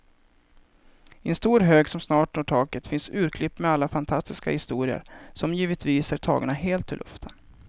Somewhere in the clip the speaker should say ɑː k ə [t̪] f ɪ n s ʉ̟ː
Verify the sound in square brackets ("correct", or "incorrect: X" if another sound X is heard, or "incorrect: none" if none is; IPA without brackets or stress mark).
correct